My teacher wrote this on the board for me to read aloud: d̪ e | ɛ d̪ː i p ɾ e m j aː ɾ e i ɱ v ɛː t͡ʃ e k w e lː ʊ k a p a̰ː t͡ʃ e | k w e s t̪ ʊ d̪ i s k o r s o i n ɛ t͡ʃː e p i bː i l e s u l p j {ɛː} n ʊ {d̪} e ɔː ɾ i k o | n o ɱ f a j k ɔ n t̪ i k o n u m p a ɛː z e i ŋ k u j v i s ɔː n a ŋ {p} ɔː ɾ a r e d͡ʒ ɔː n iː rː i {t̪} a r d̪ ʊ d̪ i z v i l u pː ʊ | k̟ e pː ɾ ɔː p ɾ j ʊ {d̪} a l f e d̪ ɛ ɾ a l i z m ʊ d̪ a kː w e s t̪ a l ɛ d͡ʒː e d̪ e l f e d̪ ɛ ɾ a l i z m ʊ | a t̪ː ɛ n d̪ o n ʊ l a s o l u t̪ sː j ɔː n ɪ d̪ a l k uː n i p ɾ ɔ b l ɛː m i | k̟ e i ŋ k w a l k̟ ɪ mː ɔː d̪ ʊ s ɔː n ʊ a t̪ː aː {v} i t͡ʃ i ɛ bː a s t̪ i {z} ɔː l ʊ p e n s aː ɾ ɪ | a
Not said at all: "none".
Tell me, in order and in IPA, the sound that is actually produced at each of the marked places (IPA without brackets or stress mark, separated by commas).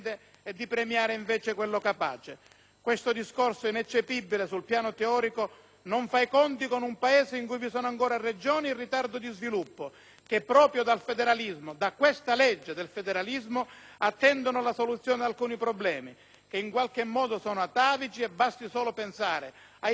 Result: aː, t̪, k, t̪, d̪, v, s